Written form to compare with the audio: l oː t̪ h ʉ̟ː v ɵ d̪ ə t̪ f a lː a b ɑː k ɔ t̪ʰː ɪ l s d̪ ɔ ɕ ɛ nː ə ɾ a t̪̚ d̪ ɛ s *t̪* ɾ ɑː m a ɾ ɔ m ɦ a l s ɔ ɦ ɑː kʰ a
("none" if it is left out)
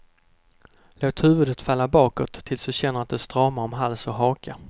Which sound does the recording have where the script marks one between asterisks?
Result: t̪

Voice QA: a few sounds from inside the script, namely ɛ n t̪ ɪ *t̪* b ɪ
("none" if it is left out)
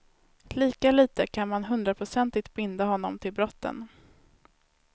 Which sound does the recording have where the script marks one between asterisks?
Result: t̪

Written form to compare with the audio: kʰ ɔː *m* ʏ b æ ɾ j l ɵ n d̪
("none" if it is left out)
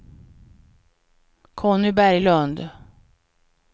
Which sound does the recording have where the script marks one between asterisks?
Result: n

